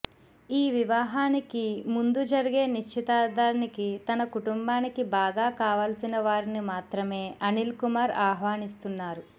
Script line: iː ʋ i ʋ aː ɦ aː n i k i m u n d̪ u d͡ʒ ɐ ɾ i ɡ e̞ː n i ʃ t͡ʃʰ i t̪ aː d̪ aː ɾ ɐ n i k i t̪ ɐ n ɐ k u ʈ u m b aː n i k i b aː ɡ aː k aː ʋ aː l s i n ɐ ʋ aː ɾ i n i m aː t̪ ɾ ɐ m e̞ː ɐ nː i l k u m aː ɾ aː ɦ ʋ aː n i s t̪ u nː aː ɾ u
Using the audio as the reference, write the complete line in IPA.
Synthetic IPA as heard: iː ʋ i ʋ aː ɦ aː n i k i m u n d̪ u d͡ʒ ɐ ɾ i ɡ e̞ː n i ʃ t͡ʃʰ i t̪ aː d̪ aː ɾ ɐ n i k i t̪ ɐ n ɐ k u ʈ u m b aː n i k i b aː ɡ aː k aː ʋ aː l s i n ɐ ʋ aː ɾ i n i m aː t̪ ɾ ɐ m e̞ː ɐ n i l k u m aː ɾ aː ɦ ʋ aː n i s t̪ u nː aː ɾ u